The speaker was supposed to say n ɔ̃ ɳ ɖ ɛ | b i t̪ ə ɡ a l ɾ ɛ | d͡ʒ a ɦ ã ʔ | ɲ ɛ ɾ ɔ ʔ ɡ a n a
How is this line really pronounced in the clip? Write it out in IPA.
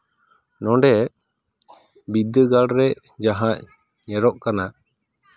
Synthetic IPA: n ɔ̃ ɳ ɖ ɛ | b i d̪ ə ɡ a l ɾ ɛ | d͡ʒ a ɦ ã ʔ | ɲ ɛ ɾ ɔ ʔ k a n a